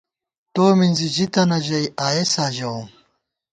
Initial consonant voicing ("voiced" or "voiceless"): voiceless